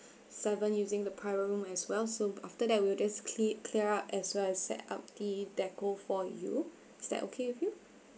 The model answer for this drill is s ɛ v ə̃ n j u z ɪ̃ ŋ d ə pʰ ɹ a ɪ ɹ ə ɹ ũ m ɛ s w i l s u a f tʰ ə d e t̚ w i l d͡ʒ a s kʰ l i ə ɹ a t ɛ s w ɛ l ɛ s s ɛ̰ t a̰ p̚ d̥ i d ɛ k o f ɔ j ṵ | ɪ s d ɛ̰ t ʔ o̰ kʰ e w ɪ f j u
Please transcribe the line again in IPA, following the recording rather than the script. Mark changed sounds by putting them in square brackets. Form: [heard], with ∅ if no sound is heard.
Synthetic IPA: s ɛ v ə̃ n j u z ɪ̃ ŋ d ə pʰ ɹ a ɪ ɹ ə ɹ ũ m ɛ s w [ɛ] l s [o] a f [t] ə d [ɛ] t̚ w i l d͡ʒ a s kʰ l i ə ɹ a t ɛ s w ɛ l ɛ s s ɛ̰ t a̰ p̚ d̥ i d ɛ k o f ɔ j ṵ | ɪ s d ɛ̰ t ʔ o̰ kʰ e w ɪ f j u